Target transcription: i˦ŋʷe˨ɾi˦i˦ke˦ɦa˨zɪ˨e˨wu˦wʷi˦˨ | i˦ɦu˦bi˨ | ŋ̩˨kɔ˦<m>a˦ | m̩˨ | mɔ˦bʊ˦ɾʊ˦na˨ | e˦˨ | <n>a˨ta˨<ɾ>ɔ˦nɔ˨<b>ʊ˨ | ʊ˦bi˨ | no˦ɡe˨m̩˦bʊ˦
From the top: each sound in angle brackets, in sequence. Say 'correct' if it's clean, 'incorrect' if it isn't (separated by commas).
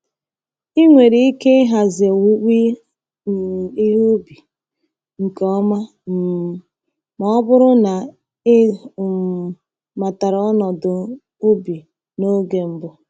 correct, incorrect, correct, incorrect